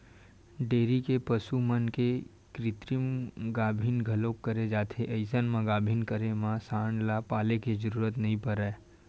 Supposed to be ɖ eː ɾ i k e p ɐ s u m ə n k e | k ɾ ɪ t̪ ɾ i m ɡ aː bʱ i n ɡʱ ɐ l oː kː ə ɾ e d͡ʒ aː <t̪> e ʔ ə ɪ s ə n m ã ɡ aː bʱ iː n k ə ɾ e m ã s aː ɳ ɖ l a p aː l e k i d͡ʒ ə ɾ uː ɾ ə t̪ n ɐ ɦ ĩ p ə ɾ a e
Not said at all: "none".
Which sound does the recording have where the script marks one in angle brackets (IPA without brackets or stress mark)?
t̪ʰ